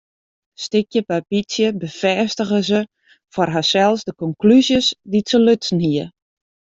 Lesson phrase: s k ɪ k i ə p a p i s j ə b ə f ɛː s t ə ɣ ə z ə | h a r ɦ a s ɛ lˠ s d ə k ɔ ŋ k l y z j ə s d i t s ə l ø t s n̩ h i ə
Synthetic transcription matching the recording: s t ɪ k j ə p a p i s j ə b ə f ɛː s t ə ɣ ə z ə | f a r ɦ a s ɛ lˠ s d ə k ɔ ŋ k l y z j ə s d i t s ə l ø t s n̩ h i ə